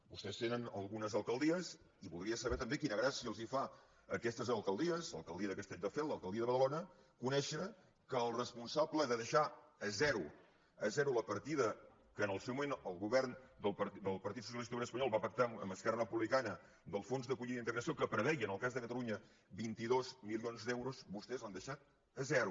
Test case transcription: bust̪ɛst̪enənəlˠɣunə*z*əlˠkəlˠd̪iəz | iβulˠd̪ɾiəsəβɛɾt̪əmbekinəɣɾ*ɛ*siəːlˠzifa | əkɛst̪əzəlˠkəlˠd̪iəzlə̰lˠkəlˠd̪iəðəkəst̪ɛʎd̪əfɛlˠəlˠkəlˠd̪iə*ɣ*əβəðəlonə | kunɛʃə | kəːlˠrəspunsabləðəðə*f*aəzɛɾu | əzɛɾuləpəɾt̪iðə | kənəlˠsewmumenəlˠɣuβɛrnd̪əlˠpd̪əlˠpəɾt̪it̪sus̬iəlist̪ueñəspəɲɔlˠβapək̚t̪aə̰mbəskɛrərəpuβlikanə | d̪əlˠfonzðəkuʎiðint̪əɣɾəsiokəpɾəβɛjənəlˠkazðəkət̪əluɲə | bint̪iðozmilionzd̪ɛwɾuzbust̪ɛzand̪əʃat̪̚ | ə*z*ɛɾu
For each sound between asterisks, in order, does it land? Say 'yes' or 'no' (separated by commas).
yes, no, no, no, yes